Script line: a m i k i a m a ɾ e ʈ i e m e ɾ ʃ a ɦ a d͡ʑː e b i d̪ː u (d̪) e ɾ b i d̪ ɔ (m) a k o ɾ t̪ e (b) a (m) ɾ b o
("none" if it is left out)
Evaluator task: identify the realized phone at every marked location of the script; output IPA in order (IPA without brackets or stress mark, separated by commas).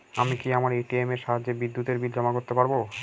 t̪, m, p, none